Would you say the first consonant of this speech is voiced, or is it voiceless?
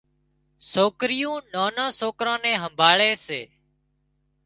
voiceless